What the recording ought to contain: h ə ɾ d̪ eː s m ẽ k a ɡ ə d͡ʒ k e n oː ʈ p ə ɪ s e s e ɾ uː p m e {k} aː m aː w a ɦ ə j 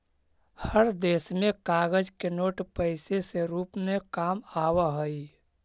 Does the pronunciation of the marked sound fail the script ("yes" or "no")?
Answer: no